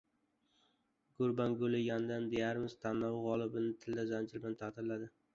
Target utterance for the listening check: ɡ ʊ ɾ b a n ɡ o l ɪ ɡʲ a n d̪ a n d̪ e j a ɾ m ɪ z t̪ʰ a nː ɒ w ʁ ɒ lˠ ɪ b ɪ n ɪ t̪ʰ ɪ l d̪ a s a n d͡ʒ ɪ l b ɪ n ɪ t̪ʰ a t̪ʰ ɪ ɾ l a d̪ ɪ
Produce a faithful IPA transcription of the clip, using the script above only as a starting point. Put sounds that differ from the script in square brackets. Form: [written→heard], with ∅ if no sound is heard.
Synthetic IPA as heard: ɡ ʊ ɾ b a n ɡ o l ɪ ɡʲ a n d̪ a n d̪ e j a ɾ m ɪ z t̪ʰ a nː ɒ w ʁ ɒ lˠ ɪ b ɪ n ɪ t̪ʰ ɪ l d̪ a [s→z] a n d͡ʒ ɪ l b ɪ n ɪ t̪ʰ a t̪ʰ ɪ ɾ l a d̪ ɪ